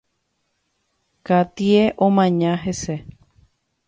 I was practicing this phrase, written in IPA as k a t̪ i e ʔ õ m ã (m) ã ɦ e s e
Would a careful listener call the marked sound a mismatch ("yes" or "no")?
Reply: yes